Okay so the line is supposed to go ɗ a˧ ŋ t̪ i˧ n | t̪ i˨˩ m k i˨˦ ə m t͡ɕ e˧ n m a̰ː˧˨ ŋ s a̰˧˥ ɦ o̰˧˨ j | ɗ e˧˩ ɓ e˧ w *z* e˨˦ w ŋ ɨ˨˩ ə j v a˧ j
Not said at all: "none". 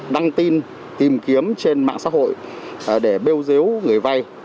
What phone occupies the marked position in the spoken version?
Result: z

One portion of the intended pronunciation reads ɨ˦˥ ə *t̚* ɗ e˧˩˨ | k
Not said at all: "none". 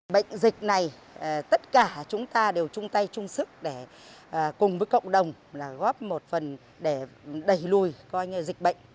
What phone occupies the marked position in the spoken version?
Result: k̚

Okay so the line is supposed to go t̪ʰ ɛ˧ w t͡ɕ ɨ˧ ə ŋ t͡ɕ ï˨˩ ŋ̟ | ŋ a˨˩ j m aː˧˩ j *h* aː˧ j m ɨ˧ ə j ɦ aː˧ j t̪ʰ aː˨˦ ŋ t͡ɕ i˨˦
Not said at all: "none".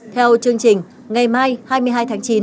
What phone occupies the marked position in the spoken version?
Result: h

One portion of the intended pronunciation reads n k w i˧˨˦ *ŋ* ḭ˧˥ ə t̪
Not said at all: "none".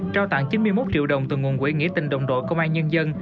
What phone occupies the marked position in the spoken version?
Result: ŋ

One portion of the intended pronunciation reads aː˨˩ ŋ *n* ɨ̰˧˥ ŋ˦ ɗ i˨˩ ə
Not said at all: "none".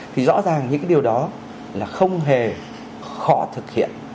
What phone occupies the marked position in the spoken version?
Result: ɲ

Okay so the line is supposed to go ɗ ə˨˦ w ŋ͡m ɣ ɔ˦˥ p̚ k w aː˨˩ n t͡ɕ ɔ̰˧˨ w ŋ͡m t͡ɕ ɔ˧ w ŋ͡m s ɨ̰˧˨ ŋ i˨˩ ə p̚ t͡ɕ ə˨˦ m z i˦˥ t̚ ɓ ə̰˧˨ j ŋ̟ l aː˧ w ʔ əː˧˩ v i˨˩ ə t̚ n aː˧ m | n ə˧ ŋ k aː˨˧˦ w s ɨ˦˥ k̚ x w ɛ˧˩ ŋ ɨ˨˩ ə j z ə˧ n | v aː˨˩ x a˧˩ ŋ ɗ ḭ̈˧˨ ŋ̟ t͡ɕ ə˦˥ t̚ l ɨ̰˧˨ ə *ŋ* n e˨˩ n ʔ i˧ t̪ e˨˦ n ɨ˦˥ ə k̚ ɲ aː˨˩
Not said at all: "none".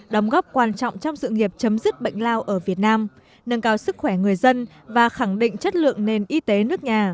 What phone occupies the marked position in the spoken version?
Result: ŋ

